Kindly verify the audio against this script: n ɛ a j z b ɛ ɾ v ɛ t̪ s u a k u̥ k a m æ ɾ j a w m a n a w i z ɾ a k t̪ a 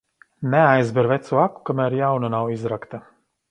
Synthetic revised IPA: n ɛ a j z b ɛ ɾ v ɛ t̪ s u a k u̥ k a m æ ɾ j a w n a n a w i z ɾ a k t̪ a